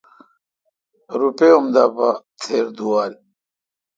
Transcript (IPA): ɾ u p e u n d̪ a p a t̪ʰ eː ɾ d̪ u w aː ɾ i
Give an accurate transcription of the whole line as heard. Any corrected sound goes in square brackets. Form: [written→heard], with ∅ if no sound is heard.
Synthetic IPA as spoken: ɾ u p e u [n→m] d̪ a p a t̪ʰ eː ɾ d̪ u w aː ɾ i